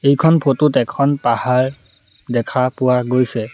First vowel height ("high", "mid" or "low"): mid